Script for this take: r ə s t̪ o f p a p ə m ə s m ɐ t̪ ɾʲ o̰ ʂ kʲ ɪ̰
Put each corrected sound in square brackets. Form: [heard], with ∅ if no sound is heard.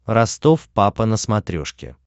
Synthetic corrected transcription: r [ɐ] s t̪ o f p a p ə [n] ə s m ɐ t̪ ɾʲ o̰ ʂ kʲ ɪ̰